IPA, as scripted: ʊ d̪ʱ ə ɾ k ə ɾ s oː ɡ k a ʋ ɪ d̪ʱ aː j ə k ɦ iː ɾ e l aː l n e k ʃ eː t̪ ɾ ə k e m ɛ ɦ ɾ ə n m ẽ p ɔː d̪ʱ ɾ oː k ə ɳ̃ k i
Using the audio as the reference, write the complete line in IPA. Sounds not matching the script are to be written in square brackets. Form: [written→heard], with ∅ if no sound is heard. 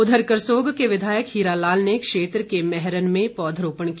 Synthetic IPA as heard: ʊ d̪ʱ ə ɾ k ə ɾ s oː ɡ k [a→e] ʋ ɪ d̪ʱ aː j ə k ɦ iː ɾ [e→a] l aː l n e k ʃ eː t̪ ɾ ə k e m ɛ ɦ ɾ ə n m ẽ p ɔː d̪ʱ ɾ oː [k→p] ə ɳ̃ k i